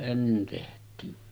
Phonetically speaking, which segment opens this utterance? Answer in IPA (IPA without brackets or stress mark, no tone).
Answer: e